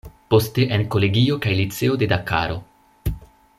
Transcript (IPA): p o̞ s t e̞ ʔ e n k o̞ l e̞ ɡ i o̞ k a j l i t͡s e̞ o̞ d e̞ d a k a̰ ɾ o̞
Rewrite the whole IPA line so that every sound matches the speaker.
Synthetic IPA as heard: p o̞ s t e̞ ʔ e n k o̞ l e̞ ɡ i o̞ k a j l i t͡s e̞ o̞ d e̞ d a k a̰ ɾ o̞